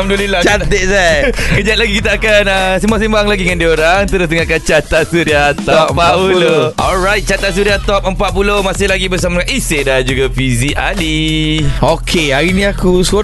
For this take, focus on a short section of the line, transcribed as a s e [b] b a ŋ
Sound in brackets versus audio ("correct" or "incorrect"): incorrect